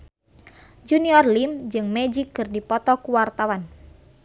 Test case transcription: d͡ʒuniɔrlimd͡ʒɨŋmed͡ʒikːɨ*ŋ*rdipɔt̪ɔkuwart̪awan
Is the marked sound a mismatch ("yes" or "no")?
yes